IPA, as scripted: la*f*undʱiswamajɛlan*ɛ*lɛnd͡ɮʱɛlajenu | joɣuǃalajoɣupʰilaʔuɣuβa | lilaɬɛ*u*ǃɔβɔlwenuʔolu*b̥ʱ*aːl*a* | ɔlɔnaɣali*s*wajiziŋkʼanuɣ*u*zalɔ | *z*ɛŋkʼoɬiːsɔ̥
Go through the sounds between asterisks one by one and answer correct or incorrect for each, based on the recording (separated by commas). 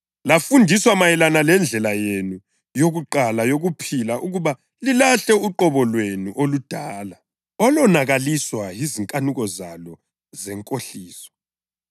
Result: correct, incorrect, correct, incorrect, correct, correct, incorrect, correct